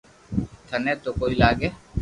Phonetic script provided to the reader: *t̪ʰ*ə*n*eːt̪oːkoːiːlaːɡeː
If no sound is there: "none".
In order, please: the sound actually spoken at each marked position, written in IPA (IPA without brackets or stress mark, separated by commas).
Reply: t̪ʰ, n